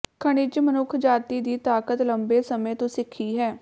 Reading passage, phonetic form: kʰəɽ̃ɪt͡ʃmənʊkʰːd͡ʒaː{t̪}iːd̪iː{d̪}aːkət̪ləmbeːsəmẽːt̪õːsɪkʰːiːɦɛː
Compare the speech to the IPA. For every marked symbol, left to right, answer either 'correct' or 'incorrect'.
correct, incorrect: t̪

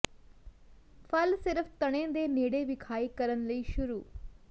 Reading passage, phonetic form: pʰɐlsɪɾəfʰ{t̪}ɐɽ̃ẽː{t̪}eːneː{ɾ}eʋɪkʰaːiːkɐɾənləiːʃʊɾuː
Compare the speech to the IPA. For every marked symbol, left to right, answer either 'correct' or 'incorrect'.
correct, incorrect: d̪, incorrect: ɽ

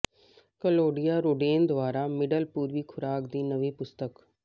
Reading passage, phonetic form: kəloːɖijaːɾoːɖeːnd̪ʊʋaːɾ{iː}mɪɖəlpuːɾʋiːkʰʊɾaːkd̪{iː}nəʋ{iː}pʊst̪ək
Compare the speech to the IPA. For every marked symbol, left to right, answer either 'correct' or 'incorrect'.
incorrect: aː, correct, correct

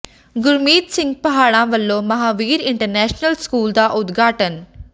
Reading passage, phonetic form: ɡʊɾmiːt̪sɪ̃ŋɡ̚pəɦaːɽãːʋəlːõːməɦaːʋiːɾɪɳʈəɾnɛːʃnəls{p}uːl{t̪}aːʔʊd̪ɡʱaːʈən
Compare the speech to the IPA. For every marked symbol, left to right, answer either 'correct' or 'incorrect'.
incorrect: k, incorrect: d̪

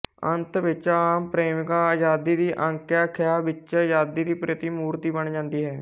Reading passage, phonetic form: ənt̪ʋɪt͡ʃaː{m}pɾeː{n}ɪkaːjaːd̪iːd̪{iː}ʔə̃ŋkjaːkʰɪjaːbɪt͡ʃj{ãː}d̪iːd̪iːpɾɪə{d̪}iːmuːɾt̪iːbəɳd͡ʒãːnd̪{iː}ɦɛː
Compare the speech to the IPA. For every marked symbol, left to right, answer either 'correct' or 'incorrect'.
correct, incorrect: m, correct, incorrect: aː, incorrect: t̪, correct

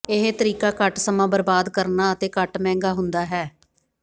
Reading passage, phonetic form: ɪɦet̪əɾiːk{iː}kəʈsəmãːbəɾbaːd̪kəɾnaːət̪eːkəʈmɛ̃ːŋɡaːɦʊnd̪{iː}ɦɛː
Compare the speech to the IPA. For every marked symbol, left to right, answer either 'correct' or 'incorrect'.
incorrect: aː, incorrect: aː

